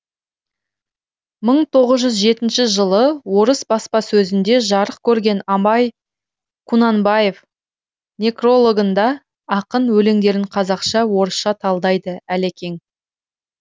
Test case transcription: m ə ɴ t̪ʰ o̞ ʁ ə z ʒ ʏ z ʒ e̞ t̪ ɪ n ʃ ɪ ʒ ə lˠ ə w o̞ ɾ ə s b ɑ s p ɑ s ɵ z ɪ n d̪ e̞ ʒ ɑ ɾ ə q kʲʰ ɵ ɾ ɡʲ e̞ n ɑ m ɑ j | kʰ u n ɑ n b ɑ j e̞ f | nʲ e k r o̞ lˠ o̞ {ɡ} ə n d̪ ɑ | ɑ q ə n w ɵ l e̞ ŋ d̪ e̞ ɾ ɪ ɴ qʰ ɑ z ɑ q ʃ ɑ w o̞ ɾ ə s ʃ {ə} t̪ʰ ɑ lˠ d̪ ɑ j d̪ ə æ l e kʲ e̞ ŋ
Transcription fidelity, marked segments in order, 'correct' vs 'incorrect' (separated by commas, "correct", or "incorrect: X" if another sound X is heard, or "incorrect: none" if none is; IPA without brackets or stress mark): correct, incorrect: ɑ